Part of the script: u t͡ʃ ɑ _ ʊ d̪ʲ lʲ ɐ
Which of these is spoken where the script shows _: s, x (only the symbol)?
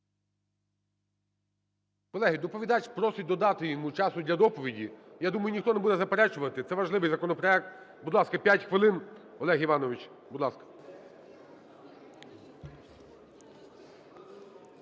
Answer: s